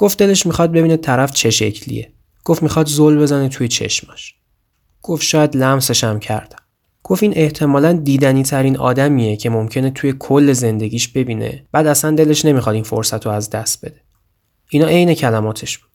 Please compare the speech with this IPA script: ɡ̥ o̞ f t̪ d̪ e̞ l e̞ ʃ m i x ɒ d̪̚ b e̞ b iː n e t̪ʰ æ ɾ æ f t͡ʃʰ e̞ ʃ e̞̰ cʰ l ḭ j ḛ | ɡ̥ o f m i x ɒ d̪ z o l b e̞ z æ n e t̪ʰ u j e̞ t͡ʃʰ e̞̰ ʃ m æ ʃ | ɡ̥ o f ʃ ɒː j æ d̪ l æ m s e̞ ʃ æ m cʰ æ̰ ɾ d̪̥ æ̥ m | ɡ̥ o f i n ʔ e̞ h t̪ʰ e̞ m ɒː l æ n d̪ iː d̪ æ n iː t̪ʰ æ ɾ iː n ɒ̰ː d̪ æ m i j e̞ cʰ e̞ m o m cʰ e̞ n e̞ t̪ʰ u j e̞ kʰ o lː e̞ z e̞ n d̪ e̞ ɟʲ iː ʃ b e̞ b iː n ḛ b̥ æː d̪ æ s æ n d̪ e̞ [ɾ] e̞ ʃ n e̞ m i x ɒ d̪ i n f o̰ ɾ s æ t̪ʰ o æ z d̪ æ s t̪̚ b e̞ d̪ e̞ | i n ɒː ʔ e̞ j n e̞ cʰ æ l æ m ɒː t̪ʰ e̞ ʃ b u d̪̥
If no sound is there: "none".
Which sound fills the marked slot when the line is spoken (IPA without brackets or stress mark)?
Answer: l